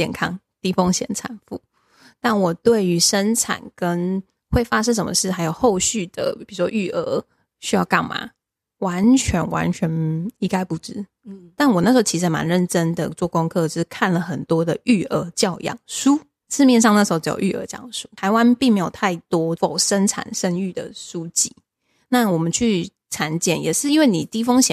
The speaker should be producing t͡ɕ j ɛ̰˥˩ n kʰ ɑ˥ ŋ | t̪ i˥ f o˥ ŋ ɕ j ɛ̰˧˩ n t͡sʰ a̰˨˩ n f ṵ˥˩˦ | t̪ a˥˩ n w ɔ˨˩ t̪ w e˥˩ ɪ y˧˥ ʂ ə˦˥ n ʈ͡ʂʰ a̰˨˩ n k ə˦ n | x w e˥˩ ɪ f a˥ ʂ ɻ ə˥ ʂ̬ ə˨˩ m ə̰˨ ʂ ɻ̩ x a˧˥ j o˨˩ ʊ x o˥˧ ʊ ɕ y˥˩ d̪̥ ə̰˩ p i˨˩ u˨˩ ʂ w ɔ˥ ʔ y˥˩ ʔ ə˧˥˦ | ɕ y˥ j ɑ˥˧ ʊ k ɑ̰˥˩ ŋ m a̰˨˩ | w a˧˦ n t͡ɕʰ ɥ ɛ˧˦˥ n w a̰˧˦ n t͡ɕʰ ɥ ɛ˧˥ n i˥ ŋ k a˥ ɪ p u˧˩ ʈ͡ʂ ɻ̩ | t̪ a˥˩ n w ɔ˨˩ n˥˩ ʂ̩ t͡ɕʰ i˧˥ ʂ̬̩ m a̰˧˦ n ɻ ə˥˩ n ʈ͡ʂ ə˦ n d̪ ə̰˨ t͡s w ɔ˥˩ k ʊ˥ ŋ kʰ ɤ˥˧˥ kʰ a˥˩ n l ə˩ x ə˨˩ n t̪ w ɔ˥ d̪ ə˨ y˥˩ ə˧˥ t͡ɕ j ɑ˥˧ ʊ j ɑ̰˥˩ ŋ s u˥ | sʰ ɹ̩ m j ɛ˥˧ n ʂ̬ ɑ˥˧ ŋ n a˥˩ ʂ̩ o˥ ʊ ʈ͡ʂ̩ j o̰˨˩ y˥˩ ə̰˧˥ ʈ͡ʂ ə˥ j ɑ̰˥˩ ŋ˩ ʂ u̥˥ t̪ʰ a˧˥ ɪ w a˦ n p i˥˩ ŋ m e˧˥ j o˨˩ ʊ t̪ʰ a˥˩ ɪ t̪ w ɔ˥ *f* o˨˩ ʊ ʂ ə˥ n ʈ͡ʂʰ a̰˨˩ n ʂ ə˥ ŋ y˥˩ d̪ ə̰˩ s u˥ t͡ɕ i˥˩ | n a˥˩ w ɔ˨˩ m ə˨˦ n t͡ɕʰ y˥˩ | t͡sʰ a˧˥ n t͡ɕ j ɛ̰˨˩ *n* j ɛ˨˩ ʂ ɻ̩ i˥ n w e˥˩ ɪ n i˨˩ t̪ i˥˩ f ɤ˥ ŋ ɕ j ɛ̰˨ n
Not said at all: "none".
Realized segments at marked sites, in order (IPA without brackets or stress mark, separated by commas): f, n